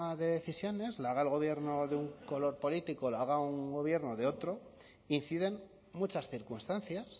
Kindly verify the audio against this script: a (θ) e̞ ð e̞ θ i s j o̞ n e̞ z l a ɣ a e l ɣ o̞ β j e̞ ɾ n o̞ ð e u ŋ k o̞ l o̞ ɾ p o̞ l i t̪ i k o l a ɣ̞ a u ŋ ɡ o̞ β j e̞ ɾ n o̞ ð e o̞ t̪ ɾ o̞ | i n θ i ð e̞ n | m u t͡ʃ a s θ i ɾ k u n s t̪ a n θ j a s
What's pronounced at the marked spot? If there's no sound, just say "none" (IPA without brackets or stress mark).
ð